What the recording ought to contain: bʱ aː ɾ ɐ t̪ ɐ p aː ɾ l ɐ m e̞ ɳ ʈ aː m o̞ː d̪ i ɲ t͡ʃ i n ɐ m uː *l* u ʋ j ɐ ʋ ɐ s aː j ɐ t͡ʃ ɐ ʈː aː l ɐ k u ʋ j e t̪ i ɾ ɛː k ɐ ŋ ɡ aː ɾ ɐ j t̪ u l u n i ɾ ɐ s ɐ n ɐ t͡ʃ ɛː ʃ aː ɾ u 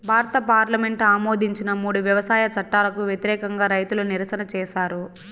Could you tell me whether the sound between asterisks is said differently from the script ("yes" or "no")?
yes